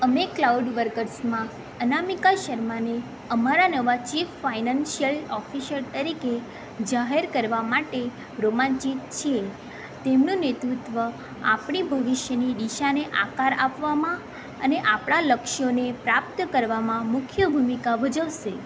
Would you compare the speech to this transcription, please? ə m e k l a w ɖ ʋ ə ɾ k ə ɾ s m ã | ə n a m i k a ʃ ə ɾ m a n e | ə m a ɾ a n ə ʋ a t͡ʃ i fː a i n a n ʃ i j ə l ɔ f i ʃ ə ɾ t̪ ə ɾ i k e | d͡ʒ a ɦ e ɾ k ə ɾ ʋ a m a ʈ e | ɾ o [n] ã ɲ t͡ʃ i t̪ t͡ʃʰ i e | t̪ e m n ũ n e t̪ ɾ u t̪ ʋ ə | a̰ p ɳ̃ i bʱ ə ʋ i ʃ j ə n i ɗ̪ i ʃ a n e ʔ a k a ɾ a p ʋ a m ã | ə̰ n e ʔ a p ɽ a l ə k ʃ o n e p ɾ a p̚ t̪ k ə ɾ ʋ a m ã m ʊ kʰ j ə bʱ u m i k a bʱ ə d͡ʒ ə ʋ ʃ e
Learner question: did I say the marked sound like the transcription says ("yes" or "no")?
no